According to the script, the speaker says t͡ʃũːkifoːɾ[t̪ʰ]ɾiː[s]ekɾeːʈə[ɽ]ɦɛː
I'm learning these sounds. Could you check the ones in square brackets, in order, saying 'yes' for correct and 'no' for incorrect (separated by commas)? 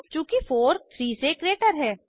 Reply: yes, yes, no